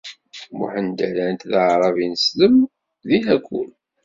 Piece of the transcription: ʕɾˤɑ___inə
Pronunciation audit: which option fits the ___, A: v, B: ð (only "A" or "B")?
A